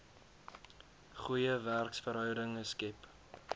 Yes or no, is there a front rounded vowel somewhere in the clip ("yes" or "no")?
yes